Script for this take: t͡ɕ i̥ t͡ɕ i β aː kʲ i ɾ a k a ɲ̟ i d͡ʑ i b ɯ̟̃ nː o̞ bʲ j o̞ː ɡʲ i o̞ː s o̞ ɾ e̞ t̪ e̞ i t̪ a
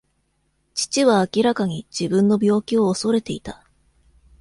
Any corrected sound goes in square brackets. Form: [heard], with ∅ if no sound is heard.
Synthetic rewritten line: t͡ɕ i̥ t͡ɕ i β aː kʲ i ɾ a k a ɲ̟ i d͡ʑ i b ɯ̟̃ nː o̞ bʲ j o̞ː [kʲ] i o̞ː s o̞ ɾ e̞ t̪ e̞ i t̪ a